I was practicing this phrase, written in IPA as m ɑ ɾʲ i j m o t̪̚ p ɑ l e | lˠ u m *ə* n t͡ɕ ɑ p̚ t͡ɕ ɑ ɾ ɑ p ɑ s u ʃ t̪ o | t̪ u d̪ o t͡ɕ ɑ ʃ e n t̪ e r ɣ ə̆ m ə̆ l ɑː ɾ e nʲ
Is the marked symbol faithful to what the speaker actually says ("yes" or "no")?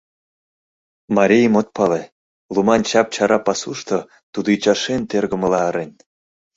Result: no